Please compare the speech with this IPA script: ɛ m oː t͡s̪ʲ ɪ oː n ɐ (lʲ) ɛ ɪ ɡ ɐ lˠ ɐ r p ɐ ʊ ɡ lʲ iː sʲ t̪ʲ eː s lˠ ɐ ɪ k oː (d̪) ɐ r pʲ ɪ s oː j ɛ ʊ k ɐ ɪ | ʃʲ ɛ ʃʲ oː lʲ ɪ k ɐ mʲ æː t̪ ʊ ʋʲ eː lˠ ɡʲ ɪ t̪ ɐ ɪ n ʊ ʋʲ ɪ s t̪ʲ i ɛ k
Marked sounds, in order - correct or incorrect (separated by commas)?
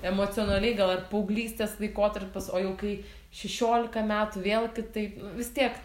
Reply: correct, incorrect